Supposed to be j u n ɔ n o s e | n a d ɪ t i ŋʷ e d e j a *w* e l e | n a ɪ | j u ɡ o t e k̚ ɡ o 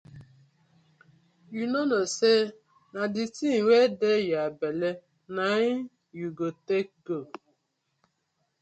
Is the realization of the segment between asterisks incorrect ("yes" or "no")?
yes